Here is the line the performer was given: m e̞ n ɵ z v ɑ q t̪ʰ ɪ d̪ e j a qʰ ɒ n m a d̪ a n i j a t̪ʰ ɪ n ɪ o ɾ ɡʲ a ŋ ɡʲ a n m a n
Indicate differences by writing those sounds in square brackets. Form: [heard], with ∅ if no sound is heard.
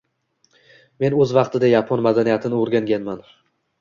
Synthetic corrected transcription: m e̞ n ɵ z v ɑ q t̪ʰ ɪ d̪ [a] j a [pʰ] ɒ n m a d̪ a n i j a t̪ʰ ɪ n ɪ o ɾ ɡʲ a ŋ ɡʲ a n m a n